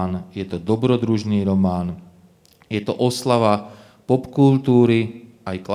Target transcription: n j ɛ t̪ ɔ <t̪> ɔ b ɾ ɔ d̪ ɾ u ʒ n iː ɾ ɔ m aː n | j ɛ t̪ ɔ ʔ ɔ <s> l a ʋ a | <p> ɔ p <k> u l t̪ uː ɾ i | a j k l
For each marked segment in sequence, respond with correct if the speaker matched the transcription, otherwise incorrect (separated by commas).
incorrect, correct, correct, correct